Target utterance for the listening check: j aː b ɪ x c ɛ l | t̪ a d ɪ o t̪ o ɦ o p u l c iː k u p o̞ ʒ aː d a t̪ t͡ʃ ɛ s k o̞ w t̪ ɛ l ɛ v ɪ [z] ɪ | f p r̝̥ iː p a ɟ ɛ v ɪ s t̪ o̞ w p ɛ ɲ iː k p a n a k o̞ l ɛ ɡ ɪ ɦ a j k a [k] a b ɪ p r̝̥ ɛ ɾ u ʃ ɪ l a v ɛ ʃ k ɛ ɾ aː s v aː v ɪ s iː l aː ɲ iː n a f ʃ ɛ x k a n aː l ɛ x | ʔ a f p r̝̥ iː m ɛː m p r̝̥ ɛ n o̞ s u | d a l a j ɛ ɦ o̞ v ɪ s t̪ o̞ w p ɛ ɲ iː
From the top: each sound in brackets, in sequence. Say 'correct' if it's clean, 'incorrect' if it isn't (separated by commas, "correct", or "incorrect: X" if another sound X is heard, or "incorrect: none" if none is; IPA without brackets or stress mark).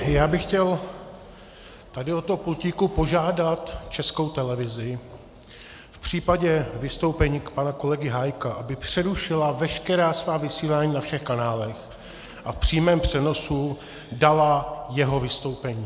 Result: correct, incorrect: ʔ